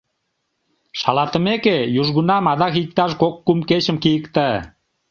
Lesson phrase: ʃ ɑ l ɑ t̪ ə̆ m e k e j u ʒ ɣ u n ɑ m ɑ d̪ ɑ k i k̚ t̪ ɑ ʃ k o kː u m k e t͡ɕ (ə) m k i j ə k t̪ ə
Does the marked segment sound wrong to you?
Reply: no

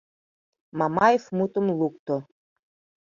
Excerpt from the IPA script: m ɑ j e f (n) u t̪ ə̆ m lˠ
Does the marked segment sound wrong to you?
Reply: yes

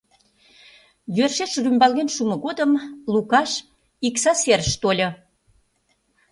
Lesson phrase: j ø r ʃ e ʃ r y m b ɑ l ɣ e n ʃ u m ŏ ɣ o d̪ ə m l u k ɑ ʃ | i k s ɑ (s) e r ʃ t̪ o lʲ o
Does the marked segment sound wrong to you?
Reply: no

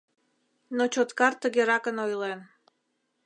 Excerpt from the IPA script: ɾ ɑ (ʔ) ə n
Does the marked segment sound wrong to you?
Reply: yes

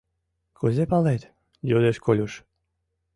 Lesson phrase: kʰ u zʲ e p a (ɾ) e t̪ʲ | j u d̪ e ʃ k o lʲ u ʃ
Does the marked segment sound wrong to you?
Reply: yes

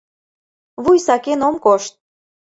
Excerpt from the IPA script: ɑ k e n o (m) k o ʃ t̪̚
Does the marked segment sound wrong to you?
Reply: no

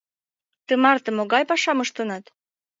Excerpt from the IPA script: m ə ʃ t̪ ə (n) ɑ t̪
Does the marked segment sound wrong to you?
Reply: no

